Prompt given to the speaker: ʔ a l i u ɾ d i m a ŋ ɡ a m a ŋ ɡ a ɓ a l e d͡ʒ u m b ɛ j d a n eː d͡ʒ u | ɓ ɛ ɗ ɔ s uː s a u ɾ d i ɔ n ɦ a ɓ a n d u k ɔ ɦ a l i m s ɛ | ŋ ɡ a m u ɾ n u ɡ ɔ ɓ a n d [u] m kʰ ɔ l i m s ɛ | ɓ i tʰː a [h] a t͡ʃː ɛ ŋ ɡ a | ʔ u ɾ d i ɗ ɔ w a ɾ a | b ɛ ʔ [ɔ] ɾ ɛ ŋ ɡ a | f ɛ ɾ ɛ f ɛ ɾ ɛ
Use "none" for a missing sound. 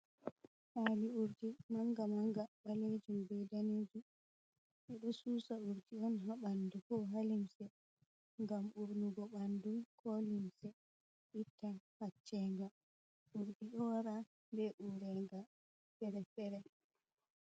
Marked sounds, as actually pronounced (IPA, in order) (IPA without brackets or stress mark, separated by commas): u, h, u